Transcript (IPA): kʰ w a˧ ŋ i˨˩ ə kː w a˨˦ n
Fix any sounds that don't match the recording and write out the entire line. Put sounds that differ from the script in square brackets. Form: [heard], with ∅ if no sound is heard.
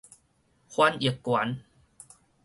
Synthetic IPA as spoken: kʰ w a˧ [n] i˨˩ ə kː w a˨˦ n